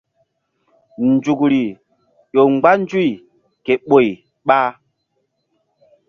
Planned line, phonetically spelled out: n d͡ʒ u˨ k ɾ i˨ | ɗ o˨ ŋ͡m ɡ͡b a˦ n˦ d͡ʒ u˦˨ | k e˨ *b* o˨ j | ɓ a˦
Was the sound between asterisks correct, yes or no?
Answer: no